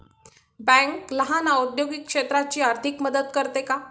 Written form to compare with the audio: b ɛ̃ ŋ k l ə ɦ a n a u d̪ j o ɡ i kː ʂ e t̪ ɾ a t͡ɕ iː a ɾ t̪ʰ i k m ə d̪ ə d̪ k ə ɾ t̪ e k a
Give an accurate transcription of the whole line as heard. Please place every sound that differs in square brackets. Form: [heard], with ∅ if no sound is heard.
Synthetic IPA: b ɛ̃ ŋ k l ə ɦ a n a u d̪ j o ɡ i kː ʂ e t̪ ɾ a t͡ɕ iː a ɾ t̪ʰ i k m ə d̪ ə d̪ k ə ɾ t̪ e k a